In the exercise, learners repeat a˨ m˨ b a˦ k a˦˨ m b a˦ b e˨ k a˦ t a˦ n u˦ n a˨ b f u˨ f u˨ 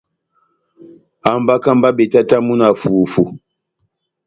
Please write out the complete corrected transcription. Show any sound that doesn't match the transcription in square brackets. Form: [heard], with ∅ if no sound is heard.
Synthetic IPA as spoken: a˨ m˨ b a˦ k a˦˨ m b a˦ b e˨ [t] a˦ t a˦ [m] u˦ n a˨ [∅] f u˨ f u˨